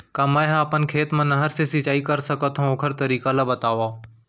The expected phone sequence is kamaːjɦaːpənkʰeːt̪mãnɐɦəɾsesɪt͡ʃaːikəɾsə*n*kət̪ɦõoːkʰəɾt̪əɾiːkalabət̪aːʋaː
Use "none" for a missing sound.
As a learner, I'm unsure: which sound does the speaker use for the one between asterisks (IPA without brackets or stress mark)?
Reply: none